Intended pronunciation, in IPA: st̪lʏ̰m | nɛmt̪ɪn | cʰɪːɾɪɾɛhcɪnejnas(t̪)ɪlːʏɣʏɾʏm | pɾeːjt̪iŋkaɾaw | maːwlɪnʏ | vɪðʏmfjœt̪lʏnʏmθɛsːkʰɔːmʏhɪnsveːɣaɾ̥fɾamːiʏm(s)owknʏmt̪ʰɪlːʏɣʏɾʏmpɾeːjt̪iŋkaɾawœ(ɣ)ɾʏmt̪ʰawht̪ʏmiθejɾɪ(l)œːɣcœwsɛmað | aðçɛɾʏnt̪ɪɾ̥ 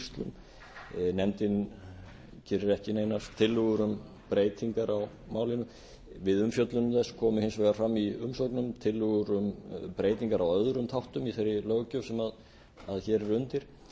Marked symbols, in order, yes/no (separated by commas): no, yes, no, yes